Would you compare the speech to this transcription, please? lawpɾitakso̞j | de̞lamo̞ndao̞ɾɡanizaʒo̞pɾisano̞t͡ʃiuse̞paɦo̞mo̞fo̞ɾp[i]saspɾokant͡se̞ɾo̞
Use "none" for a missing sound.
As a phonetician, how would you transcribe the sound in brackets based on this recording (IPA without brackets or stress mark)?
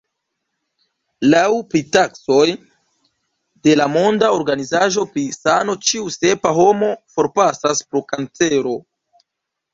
a